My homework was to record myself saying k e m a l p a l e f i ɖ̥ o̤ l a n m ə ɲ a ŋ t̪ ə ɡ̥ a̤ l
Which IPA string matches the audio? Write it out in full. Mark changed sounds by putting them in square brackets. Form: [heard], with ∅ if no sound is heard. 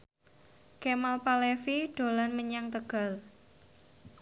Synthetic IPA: k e m a l p a l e f i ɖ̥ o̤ l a n m ə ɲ a ŋ t̪ ə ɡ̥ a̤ l